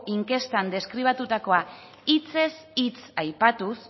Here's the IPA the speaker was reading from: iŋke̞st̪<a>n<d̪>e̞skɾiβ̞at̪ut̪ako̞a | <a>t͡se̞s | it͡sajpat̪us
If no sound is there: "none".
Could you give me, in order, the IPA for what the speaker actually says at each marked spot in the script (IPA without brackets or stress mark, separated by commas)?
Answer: a, d̪, i